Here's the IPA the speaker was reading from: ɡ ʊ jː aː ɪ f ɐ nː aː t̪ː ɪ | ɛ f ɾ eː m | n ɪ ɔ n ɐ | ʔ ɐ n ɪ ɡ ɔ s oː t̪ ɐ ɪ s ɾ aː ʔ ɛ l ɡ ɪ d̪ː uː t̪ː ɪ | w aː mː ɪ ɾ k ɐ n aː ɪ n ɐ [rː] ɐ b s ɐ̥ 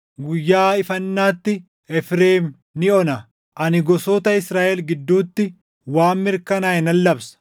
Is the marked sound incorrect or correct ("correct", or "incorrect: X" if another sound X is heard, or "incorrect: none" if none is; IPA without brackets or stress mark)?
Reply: incorrect: lː